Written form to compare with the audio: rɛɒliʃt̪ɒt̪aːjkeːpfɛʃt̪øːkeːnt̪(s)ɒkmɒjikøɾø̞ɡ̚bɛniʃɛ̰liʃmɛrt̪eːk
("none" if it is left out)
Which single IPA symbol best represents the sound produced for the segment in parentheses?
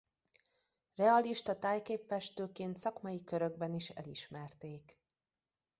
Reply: s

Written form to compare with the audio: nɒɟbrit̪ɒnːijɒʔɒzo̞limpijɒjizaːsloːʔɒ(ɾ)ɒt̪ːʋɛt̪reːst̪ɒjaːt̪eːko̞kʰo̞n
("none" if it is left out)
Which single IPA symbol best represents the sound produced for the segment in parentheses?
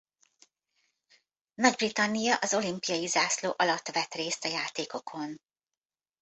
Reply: l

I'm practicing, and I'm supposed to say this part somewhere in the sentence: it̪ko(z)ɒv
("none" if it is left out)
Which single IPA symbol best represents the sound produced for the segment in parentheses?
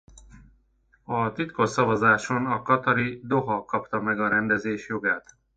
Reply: s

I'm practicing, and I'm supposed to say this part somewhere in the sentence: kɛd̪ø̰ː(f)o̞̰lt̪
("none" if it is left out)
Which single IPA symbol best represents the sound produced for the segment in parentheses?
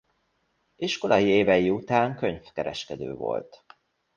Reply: v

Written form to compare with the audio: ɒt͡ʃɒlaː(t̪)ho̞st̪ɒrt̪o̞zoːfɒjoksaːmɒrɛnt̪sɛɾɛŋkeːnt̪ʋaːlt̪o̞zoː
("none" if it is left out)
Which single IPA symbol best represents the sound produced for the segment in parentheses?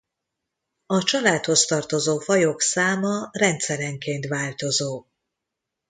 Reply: t̪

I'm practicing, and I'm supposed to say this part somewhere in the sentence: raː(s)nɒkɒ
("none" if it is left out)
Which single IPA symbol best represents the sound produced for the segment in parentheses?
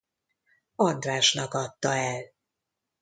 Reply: ʃ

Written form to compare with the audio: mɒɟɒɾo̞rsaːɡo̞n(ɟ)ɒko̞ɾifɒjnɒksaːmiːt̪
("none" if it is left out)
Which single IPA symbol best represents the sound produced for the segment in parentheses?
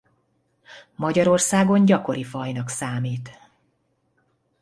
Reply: ɟ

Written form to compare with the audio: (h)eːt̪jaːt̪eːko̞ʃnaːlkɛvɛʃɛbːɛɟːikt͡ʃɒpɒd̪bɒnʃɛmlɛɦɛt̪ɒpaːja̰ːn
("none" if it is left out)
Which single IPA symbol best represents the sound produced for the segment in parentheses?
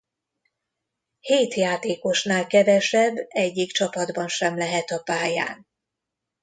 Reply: h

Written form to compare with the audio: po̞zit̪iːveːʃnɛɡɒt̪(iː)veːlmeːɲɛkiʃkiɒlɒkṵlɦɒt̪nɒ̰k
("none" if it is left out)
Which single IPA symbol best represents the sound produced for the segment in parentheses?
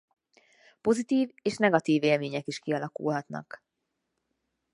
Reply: iː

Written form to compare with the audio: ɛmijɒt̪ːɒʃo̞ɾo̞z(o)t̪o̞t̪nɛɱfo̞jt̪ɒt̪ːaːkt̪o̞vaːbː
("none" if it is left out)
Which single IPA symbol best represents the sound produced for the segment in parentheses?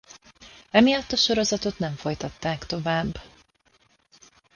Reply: ɒ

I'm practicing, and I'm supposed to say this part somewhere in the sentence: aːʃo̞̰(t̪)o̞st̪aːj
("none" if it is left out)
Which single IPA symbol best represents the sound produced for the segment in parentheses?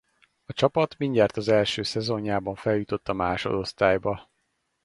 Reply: d̪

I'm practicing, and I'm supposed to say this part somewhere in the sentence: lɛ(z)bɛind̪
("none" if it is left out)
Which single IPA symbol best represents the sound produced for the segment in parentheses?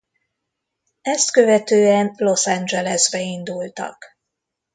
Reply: z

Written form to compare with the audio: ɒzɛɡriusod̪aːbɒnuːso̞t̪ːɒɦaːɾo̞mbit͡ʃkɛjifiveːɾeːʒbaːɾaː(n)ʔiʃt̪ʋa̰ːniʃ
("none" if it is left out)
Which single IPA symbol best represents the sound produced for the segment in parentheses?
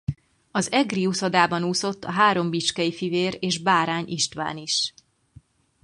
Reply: ɲ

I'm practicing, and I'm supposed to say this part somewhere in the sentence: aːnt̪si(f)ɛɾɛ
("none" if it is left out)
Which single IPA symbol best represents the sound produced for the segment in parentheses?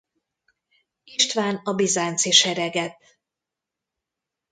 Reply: ʃ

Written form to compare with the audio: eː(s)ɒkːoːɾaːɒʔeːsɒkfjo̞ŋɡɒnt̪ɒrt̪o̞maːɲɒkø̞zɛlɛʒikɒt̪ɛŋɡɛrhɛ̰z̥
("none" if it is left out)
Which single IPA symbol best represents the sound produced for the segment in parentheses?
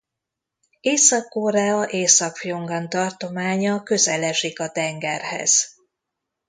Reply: s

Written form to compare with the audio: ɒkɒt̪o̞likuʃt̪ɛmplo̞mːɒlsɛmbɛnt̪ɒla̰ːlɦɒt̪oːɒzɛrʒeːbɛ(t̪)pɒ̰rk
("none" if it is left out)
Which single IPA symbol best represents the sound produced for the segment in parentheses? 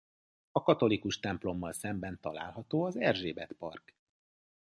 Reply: t̪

